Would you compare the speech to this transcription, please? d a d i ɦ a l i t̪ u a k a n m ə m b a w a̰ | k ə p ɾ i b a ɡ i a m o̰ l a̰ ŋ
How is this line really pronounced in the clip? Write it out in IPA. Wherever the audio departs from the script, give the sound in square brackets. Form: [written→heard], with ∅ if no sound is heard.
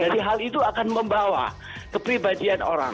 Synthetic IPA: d a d i ɦ a l i t̪ u a k a n m ə m b a w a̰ | k ə p ɾ i b a [ɡ→d] i a [m→n] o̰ [l→ɾ] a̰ ŋ